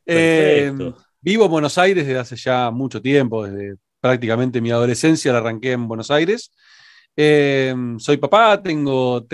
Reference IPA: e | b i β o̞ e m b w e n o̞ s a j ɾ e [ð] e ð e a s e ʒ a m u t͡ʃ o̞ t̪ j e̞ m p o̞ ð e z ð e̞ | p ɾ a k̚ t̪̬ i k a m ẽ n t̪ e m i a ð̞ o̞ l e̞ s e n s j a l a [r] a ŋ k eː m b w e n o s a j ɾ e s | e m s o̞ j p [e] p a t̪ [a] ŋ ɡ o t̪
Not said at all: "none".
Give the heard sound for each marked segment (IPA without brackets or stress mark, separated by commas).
ð, r, a, e